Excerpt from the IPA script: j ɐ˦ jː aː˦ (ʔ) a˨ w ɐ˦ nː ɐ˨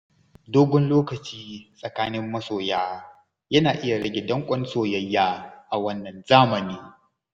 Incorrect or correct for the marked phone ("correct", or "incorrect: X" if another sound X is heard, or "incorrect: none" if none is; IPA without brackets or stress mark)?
correct